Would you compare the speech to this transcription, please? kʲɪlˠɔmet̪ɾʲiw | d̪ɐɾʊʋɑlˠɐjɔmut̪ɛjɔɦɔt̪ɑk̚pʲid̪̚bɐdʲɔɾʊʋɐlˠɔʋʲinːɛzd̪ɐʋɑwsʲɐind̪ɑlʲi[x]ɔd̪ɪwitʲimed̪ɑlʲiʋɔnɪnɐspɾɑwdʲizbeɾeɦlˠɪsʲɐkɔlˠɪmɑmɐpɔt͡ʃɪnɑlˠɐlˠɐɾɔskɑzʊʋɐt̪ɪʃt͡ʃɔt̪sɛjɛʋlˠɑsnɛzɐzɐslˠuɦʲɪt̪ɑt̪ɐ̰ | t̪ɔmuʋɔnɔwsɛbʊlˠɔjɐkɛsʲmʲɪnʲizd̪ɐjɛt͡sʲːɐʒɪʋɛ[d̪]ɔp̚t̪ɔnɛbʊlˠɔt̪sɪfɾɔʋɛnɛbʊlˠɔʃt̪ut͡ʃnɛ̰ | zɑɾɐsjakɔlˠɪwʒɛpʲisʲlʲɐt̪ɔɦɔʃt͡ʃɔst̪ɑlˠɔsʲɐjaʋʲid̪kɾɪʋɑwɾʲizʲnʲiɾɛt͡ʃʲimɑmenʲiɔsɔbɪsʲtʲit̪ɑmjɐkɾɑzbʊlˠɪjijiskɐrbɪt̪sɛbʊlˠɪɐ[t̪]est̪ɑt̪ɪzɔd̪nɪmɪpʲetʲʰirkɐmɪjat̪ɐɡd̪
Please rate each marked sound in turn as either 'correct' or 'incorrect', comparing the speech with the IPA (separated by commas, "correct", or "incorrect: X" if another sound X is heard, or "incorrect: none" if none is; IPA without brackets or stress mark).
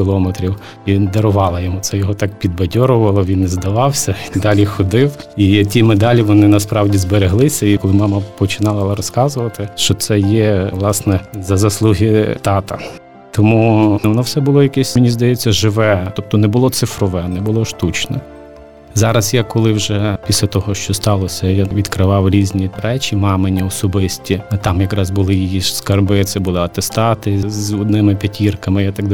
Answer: correct, incorrect: t̪, correct